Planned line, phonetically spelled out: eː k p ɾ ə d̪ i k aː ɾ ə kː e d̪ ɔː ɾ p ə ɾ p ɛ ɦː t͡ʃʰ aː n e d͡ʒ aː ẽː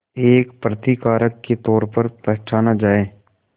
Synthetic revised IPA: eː k p ɾ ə t̪ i k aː ɾ ə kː e t̪ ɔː ɾ p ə ɾ p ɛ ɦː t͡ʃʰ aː n a d͡ʒ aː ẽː